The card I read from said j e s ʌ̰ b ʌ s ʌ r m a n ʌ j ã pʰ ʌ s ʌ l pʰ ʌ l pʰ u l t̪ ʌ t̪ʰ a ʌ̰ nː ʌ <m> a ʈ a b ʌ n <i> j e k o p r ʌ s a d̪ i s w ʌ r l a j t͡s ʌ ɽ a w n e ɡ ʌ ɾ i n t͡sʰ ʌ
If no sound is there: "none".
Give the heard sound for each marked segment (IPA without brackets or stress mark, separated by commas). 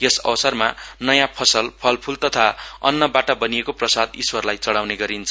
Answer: b, i